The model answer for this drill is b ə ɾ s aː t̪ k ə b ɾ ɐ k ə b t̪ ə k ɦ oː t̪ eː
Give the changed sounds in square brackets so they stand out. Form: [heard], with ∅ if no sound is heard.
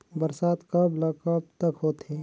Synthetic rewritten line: b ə ɾ s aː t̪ k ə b [l] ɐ k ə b t̪ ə k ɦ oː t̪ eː